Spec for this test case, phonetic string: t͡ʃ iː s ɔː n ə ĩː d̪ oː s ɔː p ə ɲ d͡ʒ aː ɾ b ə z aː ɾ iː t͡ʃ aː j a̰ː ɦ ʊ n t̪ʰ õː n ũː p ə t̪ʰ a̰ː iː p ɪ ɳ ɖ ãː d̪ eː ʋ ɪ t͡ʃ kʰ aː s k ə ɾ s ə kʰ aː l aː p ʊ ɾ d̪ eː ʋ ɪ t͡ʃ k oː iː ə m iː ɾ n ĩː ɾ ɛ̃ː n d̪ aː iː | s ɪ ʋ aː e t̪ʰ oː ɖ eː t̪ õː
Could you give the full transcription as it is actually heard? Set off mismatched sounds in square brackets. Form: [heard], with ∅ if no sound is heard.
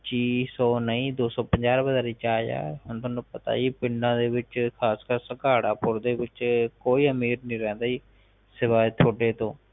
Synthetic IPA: t͡ʃ iː s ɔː n ə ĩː d̪ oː s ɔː p ə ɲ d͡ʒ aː ɾ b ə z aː ɾ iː t͡ʃ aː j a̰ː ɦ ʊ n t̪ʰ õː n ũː p ə [t̪] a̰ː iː p ɪ ɳ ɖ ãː d̪ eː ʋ ɪ t͡ʃ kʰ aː s k ə ɾ s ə [k] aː [ɽ] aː p ʊ ɾ d̪ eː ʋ ɪ t͡ʃ k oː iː ə m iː ɾ n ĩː ɾ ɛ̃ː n d̪ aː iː | s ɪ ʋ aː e t̪ʰ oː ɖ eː t̪ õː

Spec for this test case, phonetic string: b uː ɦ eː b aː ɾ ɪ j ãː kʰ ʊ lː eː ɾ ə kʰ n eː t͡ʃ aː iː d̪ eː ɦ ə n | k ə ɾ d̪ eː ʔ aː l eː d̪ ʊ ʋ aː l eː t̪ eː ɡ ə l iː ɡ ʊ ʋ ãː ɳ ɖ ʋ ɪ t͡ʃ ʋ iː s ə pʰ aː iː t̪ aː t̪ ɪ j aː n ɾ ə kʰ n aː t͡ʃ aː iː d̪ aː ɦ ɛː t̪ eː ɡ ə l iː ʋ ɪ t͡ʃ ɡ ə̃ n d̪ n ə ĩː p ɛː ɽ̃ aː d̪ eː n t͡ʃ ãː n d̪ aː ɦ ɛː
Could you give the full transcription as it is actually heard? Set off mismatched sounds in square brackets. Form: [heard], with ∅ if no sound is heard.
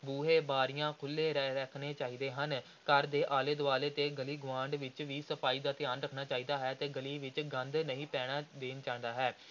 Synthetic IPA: b uː ɦ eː b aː ɾ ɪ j ãː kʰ ʊ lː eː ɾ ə kʰ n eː t͡ʃ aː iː d̪ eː ɦ ə n | k ə ɾ d̪ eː ʔ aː l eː d̪ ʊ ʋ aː l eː t̪ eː ɡ ə l iː ɡ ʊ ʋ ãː ɳ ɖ ʋ ɪ t͡ʃ ʋ iː s ə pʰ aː iː [d̪] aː t̪ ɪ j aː n ɾ ə kʰ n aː t͡ʃ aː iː d̪ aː ɦ ɛː t̪ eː ɡ ə l iː ʋ ɪ t͡ʃ ɡ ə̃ n d̪ n ə ĩː p ɛː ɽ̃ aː d̪ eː n t͡ʃ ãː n d̪ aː ɦ ɛː

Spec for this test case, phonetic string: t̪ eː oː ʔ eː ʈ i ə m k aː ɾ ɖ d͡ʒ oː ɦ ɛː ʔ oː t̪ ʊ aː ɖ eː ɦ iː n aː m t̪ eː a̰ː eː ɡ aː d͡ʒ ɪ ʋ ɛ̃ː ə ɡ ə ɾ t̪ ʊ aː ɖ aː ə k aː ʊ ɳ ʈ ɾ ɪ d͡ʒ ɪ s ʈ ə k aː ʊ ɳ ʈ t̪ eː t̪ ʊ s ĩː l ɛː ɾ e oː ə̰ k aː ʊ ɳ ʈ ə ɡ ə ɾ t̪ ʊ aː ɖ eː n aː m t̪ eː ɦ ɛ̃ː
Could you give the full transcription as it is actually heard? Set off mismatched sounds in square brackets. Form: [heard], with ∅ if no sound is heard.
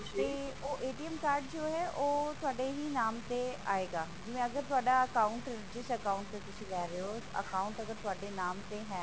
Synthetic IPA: t̪ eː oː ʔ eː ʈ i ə m k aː ɾ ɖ d͡ʒ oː ɦ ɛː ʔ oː t̪ ʊ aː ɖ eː ɦ iː n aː m t̪ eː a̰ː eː ɡ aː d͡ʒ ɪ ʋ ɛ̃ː ə ɡ ə ɾ t̪ ʊ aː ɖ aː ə k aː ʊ ɳ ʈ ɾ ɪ d͡ʒ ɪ s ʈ ə k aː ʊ ɳ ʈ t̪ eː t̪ ʊ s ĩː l ɛː ɾ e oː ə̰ k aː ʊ ɳ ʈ ə ɡ ə ɾ t̪ ʊ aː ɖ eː n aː m t̪ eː ɦ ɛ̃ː

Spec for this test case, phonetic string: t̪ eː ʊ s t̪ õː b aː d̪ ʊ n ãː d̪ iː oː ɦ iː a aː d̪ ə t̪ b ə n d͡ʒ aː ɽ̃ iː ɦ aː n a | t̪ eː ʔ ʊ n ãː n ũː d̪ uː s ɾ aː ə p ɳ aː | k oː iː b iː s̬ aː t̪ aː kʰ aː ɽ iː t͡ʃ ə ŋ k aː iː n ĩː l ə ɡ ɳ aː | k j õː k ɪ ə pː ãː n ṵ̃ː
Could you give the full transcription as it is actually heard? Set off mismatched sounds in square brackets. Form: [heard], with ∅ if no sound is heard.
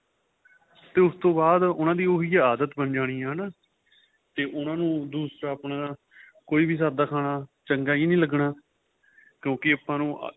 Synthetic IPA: t̪ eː ʊ s t̪ õː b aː d̪ ʊ n ãː d̪ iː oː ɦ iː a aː d̪ ə t̪ b ə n d͡ʒ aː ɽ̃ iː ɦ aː n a | t̪ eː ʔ ʊ n ãː n ũː d̪ uː s ɾ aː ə p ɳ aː | k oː iː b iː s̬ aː [d̪] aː kʰ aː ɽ [aː] t͡ʃ ə ŋ [ɡ] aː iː n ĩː l ə ɡ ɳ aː | k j õː k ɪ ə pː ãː n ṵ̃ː

